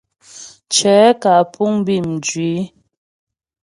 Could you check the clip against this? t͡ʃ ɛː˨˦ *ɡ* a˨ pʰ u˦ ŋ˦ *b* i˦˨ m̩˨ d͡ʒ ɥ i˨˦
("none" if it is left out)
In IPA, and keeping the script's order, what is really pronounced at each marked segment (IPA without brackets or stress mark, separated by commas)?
k, b